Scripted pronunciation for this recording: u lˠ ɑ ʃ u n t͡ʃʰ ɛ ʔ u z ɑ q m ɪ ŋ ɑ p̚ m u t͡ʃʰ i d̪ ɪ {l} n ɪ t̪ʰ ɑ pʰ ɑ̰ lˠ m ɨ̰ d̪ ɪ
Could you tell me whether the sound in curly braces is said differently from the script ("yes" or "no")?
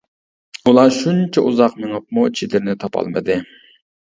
yes